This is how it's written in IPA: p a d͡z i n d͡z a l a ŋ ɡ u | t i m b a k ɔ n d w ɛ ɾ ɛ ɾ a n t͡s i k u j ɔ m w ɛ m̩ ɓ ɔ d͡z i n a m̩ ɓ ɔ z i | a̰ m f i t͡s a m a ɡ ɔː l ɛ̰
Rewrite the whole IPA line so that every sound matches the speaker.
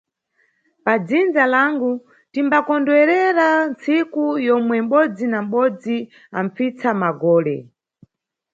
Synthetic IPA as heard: p a d͡z i n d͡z a l a ŋ ɡ u | t i m b a k ɔ n d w ɛ ɾ ɛ ɾ a n t͡s i k u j ɔ m w ɛ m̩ ɓ ɔ d͡z i n a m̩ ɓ ɔ d͡z i | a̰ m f i t͡s a m a ɡ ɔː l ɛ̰